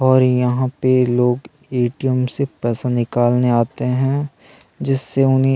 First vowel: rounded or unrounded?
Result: rounded